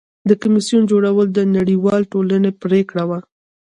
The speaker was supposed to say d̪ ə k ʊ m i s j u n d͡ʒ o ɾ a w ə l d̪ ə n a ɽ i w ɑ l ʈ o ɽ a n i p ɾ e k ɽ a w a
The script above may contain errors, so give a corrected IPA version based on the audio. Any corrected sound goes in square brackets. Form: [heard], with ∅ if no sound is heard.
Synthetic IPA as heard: d̪ ə k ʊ m i s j u n d͡ʒ o [ɽ] a w ə l d̪ ə n a ɽ i w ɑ l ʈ o [l] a n [e] p ɾ e k ɽ a w a